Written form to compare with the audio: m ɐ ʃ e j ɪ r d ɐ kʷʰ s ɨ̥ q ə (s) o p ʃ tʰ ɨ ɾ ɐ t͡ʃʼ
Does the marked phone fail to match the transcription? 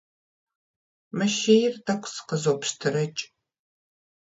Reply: yes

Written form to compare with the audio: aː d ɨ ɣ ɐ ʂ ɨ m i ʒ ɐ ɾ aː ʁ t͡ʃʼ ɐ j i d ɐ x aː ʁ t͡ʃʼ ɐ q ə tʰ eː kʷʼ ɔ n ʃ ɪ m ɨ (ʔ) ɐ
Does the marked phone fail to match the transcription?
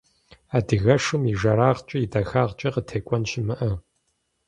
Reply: no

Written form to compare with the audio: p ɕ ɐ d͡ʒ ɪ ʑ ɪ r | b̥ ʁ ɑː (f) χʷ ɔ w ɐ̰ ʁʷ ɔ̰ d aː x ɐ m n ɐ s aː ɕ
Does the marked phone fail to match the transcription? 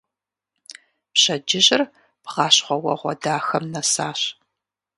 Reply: yes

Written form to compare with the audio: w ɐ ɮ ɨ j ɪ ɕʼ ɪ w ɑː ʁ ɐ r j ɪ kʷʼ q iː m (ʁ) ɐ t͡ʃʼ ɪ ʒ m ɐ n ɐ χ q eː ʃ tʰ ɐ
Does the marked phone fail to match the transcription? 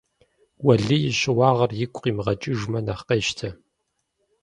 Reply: no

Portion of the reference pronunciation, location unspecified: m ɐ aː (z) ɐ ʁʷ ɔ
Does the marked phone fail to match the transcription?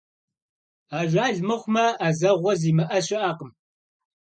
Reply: no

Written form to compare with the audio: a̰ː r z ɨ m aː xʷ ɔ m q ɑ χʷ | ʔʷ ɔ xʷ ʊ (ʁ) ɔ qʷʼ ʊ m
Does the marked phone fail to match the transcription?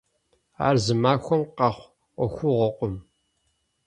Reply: no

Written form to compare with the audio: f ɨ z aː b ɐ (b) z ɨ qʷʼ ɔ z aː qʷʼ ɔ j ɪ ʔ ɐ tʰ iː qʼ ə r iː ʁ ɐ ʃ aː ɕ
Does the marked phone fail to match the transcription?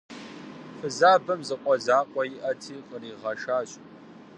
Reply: yes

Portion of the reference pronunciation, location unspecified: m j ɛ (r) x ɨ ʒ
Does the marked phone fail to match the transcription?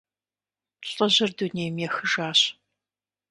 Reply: yes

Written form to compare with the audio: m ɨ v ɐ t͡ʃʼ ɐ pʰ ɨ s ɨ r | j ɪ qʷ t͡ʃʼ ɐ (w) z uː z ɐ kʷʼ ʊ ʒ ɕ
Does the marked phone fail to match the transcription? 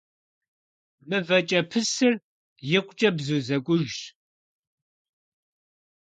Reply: yes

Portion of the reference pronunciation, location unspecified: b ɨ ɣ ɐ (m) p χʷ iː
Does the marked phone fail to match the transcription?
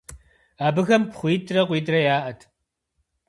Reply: no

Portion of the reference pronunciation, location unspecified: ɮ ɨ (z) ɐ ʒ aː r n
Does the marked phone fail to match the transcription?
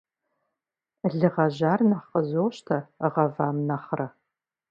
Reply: yes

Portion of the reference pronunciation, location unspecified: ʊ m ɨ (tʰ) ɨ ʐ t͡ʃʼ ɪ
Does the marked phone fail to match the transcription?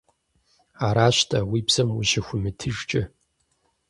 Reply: no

